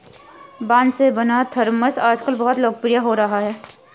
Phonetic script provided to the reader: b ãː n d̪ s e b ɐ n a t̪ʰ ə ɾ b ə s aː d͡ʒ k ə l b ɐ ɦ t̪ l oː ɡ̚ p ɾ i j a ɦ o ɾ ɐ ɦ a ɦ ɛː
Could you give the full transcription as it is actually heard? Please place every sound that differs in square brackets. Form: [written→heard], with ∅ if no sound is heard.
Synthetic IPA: b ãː n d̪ s e b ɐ n a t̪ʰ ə ɾ [b→m] ə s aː d͡ʒ k ə l b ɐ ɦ t̪ l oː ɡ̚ p ɾ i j a ɦ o ɾ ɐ ɦ a ɦ ɛː